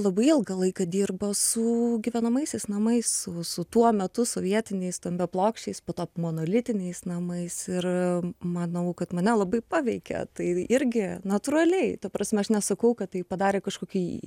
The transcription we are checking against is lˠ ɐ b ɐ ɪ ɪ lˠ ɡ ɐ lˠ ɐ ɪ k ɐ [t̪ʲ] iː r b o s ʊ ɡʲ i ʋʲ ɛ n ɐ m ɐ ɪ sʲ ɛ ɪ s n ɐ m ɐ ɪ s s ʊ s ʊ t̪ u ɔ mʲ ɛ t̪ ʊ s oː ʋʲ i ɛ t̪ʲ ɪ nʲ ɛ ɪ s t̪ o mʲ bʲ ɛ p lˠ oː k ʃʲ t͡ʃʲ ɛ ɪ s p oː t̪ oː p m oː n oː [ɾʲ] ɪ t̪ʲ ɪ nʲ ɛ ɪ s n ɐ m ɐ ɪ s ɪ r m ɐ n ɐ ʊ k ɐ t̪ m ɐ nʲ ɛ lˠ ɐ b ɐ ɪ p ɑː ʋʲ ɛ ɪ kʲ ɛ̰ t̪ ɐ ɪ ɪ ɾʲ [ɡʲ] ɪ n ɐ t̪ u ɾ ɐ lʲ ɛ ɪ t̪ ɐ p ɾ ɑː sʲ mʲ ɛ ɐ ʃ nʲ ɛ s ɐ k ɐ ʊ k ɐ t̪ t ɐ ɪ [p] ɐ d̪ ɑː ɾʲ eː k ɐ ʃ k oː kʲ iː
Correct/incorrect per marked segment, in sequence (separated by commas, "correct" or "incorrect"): incorrect, incorrect, correct, correct